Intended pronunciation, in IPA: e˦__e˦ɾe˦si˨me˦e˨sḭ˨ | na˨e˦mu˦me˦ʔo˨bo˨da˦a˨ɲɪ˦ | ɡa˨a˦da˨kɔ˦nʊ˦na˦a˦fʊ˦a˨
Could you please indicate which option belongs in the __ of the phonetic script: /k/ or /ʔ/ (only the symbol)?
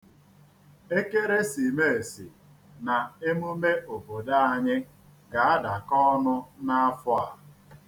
k